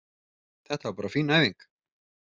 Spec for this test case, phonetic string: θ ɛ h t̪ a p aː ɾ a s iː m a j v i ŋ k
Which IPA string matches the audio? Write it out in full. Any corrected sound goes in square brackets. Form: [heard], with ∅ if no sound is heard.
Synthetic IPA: θ ɛ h t̪ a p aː ɾ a [f] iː [n] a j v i ŋ k